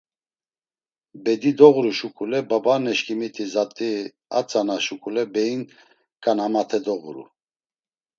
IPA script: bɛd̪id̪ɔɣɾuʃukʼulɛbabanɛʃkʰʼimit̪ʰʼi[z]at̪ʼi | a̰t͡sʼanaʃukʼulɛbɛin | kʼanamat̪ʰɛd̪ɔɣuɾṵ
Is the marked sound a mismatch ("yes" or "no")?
no